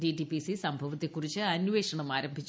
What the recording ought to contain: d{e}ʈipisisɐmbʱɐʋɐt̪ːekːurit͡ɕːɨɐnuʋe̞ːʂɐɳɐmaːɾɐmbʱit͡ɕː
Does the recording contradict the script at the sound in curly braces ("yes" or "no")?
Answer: yes